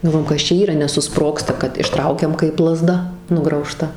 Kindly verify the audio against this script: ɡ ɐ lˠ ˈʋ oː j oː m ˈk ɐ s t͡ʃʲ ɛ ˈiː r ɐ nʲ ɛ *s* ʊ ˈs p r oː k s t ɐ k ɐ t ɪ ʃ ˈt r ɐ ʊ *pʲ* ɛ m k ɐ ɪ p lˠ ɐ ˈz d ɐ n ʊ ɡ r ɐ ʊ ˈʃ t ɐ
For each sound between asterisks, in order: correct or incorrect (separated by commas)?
correct, incorrect